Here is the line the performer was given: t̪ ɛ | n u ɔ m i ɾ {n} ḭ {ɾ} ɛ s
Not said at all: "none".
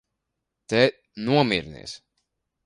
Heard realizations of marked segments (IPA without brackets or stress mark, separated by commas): n, none